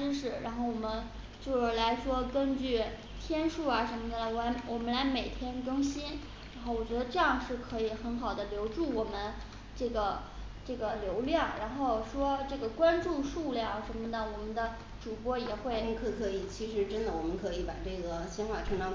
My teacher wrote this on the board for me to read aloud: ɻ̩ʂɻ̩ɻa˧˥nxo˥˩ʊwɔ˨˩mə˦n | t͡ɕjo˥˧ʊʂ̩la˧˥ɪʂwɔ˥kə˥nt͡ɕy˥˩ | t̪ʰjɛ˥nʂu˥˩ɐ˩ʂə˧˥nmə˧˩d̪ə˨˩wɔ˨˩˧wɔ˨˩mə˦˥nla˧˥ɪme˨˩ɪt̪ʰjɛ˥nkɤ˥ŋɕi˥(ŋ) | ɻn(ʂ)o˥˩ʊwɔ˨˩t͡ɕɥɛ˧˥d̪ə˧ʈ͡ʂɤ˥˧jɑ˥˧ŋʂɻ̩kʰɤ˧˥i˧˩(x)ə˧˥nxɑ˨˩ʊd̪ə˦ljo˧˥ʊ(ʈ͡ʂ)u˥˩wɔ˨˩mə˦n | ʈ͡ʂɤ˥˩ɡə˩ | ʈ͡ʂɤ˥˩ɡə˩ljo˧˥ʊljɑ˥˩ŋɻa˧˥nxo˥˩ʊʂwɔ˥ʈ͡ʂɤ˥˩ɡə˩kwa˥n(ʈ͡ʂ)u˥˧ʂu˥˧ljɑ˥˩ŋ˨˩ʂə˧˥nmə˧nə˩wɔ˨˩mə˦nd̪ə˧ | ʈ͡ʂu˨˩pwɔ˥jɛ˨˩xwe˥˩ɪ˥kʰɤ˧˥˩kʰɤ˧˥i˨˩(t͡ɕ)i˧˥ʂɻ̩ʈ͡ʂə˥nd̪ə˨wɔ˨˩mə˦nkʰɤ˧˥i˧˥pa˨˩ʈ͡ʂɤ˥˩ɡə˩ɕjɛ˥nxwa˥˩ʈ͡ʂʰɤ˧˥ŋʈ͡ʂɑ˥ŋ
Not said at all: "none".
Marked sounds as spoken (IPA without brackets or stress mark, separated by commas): n, x, x, ʈ͡ʂ, ʈ͡ʂ, t͡ɕʰ